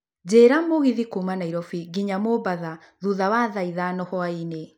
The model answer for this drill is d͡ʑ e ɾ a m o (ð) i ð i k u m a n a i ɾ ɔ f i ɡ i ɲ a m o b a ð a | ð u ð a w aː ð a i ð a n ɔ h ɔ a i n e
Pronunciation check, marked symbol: incorrect: ɣ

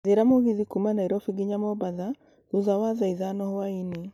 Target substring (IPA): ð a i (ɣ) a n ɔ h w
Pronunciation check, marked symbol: incorrect: ð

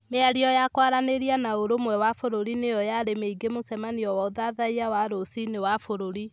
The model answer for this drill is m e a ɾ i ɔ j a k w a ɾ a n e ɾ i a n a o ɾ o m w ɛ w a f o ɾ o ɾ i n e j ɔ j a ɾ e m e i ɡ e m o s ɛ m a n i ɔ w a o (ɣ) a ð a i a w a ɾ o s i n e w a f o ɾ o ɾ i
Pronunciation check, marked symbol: incorrect: ð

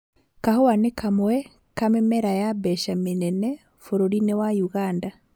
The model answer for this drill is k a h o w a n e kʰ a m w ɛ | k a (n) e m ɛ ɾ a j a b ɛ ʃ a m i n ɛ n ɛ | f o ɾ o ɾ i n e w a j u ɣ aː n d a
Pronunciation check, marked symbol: incorrect: m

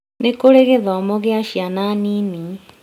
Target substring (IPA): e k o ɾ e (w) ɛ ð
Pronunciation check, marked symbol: incorrect: ɣ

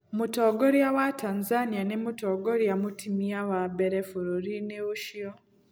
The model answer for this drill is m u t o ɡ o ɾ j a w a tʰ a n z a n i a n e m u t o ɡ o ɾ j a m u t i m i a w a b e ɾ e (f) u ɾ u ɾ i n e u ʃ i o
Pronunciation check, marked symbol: correct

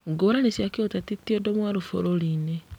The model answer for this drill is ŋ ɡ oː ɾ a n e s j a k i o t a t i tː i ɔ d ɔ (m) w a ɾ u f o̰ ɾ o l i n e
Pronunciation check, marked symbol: correct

